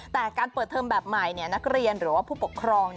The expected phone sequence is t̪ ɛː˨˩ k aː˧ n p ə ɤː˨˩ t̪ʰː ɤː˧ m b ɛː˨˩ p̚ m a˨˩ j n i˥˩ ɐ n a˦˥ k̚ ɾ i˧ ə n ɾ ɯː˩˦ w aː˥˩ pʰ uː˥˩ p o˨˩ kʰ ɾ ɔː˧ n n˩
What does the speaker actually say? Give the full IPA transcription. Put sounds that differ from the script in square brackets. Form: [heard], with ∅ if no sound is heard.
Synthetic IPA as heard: t̪ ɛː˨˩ k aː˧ n p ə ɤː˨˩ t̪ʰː ɤː˧ m b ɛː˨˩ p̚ m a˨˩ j n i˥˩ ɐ n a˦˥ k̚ ɾ i˧ ə n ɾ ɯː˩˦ w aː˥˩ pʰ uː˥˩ p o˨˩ kʰ ɾ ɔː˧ [ŋ] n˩